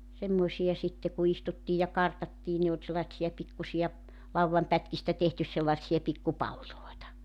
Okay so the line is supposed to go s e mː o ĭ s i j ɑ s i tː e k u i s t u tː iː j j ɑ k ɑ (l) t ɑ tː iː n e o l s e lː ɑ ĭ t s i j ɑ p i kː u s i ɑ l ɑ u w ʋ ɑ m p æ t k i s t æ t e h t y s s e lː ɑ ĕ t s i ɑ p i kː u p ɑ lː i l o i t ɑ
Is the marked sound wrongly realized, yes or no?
yes